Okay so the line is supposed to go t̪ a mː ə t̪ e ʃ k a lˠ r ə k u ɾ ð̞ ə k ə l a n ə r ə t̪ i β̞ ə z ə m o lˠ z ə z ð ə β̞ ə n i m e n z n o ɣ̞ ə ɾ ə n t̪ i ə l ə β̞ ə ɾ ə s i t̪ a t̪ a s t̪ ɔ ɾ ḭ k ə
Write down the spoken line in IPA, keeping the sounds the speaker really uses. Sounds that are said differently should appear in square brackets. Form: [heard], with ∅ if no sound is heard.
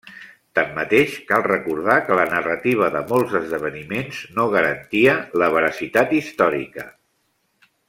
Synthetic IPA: t̪ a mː ə t̪ e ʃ k a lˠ r ə k u ɾ ð̞ [a] k ə l [ə] n ə r ə t̪ i β̞ ə [ð] ə m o lˠ z ə z ð ə β̞ ə n i m e n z n o ɣ̞ ə ɾ ə n t̪ i ə l ə β̞ ə ɾ ə s i t̪ a t̪ [i] s t̪ ɔ ɾ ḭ k ə

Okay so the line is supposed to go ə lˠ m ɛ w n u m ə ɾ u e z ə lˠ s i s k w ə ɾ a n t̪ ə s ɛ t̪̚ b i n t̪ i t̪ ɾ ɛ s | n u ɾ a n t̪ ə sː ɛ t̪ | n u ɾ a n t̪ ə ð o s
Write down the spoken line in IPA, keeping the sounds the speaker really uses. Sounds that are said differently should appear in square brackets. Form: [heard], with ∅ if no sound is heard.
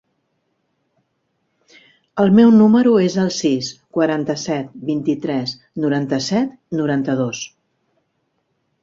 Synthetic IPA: ə lˠ m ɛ w n u m ə ɾ u e z ə lˠ s i s k w ə ɾ a n t̪ ə s ɛ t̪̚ b i n t̪ i t̪ ɾ ɛ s | n u ɾ a n t̪ ə [s] ɛ t̪ | n u ɾ a n t̪ ə ð o s

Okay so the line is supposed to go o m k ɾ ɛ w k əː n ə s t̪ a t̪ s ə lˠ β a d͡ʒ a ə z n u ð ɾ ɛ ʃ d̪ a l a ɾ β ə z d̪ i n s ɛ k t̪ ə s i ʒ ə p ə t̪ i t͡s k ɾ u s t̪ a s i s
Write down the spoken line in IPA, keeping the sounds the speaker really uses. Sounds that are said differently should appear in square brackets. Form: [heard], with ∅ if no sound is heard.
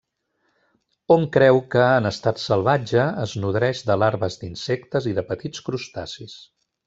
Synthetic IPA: o m k ɾ ɛ w k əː n ə s t̪ a t̪ s ə lˠ β a d͡ʒ [ə] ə z n u ð ɾ ɛ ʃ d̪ [ə] l a ɾ β ə z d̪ i n s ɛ k t̪ ə [z] i [ð] ə p ə t̪ i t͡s k ɾ u s t̪ a s i s

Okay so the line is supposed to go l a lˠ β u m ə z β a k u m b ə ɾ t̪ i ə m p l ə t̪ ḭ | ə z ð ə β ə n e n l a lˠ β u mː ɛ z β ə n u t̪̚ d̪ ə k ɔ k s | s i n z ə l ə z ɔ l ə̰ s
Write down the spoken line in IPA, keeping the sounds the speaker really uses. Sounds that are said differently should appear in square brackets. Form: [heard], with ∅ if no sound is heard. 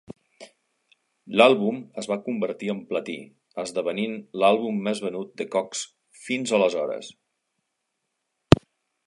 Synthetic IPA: l a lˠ β u m ə z β a k u m b ə ɾ t̪ i ə m p l ə t̪ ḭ | ə z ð ə β ə n [i] n l a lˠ β u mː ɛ z β ə n u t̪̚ d̪ ə k ɔ k s | [f] i n z ə l ə z ɔ [ɾ] ə̰ s

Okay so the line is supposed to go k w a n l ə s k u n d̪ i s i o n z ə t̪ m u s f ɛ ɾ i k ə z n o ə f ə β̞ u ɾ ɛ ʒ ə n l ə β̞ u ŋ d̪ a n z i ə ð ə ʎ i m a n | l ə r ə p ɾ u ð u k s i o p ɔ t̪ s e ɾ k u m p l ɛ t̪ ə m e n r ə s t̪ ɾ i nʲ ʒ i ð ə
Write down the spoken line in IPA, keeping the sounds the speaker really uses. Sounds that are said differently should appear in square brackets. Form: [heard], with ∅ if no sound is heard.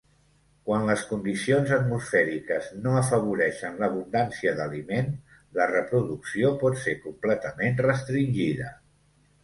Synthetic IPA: k w a n l ə s k u n d̪ i s i o n z ə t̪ m u s f ɛ ɾ i k ə z n o ə f ə β̞ u ɾ ɛ [ʃ] ə n l ə β̞ u [n] d̪ a n [s] i ə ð ə [l] i m [e] n | l ə r ə p ɾ u ð u k s i o p ɔ t̪ s e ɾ k u m p l ɛ t̪ ə m e n r ə s t̪ ɾ i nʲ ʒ i ð ə

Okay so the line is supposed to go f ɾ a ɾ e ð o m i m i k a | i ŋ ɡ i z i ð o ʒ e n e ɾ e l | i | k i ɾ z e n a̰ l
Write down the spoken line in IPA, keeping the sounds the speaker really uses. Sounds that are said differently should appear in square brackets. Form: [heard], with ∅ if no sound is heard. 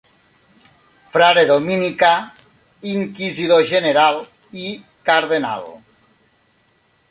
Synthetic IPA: f ɾ a ɾ e ð o m i [n] i k a | i ŋ [k] i z i ð o ʒ e n e ɾ [a] l | i | k [a] ɾ [ð] e n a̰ l

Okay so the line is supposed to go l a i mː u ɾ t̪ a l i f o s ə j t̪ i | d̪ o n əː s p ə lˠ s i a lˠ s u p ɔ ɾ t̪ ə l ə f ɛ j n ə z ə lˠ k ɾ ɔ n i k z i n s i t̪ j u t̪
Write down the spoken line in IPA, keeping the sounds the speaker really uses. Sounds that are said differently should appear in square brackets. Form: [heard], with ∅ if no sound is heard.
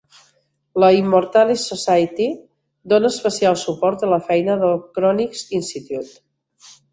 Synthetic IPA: l [ə] i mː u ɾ t̪ a l i [s] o s [a] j t̪ i | d̪ o n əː s p ə [∅] s i a lˠ s u p ɔ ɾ t̪ ə l ə f ɛ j n ə [ð] ə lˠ k ɾ ɔ n i k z i n s i t̪ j u t̪

